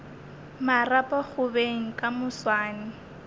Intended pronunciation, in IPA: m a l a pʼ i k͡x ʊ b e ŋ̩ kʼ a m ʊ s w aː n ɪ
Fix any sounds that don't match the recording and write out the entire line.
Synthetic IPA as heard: m a r a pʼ a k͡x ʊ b e ŋ̩ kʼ a m ʊ s w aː n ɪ